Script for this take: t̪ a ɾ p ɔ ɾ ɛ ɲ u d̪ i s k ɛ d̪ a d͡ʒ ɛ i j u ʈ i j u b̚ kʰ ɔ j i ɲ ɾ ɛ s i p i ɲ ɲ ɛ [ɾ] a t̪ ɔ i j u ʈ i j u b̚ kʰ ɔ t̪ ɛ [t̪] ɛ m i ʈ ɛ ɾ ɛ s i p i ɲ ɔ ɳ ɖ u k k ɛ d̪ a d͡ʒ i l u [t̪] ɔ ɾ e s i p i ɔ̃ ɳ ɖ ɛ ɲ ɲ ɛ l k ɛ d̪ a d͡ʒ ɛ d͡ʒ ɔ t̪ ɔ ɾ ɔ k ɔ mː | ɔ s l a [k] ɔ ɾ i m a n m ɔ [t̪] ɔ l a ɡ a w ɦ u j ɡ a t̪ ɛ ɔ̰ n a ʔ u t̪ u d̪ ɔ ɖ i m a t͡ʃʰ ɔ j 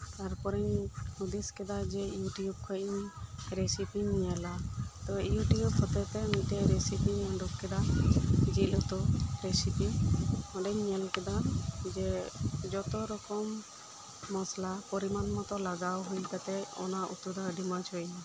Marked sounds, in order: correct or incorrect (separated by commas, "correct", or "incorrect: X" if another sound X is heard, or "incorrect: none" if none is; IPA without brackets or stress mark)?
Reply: incorrect: l, correct, correct, incorrect: p, correct